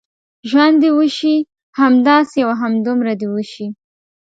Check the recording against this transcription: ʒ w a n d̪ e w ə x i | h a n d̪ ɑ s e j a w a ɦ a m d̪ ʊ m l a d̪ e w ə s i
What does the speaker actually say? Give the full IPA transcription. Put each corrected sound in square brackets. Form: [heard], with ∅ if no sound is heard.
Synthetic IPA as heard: ʒ w a n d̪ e w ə [ʃ] i | h a [m] d̪ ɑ s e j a w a ɦ a m d̪ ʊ m [ɾ] a d̪ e w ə [ʃ] i